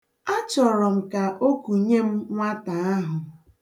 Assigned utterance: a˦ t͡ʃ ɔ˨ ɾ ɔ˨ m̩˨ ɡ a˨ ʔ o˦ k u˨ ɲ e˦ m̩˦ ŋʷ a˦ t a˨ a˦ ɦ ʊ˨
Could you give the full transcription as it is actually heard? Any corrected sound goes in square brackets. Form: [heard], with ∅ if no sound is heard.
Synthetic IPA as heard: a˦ t͡ʃ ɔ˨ ɾ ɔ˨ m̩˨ [k] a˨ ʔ o˦ k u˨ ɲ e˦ m̩˦ ŋʷ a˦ t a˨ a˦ ɦ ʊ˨